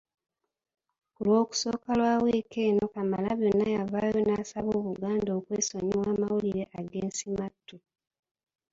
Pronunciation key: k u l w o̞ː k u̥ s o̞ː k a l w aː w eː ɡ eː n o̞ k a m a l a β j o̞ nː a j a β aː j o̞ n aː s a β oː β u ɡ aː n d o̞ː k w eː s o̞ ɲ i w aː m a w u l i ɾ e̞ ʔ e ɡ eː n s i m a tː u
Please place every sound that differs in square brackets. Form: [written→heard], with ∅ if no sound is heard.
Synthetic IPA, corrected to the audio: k u l w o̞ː k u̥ s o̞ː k a l w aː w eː [ɡ→k] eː n o̞ k a m a l a β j o̞ nː a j a [β→v] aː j o̞ n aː s a β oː β u ɡ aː n d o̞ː k w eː s o̞ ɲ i w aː m a w u l i ɾ e̞ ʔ [e→a] ɡ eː n s i m a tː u